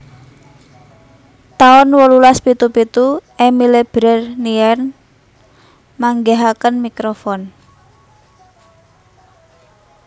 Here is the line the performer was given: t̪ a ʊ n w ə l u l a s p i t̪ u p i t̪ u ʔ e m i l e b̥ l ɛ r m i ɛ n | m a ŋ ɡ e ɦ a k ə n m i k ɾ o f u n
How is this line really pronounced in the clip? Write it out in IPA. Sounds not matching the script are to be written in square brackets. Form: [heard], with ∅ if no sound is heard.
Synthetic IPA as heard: t̪ a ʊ n w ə l u l a s p i t̪ u p i t̪ u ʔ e m i l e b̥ [ɾ] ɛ r [n] i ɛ n | m a ŋ ɡ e ɦ a k ə n m i k ɾ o f [ɔ] n